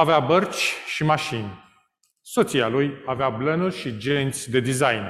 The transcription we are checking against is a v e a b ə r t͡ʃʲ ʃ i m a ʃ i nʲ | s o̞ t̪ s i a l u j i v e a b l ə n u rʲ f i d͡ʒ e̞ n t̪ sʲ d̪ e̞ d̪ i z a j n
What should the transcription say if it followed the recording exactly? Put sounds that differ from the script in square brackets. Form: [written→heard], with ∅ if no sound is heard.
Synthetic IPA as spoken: a v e a b ə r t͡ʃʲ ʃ i m a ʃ i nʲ | s o̞ t̪ s i a l u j [i→a] v e a b l ə n u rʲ [f→ʃ] i d͡ʒ e̞ n t̪ sʲ d̪ e̞ d̪ i z a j n